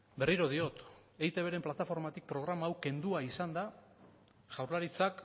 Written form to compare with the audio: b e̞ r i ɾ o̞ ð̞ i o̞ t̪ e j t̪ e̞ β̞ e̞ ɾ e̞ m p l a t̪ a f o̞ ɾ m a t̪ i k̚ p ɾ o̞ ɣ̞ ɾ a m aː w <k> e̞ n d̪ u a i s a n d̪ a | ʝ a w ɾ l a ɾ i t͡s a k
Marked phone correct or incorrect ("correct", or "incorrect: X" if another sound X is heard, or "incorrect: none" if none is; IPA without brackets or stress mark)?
correct